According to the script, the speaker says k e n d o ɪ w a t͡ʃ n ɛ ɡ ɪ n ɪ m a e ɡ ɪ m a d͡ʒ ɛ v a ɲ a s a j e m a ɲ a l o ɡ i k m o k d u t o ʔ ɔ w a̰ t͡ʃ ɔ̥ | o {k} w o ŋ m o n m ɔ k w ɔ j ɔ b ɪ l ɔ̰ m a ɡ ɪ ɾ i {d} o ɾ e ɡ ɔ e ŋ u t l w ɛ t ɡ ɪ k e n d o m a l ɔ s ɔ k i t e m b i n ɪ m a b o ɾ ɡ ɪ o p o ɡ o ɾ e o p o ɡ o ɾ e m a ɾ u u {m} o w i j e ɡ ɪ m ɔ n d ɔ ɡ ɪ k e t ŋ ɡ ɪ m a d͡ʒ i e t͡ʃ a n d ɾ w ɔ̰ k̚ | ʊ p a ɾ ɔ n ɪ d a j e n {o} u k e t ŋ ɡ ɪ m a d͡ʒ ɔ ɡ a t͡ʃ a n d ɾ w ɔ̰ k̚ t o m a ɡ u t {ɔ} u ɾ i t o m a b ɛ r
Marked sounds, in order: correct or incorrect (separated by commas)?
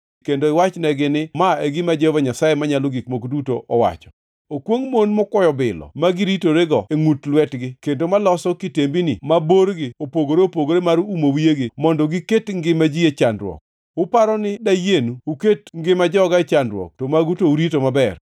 correct, incorrect, correct, incorrect, incorrect